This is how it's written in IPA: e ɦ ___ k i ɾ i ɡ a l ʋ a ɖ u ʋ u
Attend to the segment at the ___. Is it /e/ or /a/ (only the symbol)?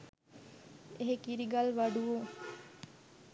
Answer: e